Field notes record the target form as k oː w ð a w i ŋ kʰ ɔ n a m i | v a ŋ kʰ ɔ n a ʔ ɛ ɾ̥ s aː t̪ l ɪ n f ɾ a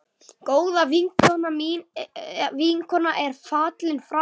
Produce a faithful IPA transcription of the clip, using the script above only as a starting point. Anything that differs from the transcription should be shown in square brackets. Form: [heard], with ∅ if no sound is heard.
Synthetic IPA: k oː w ð a [v] i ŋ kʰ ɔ n a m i | v [i] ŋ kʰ ɔ n a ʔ ɛ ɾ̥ [f] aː t̪ l ɪ n f ɾ a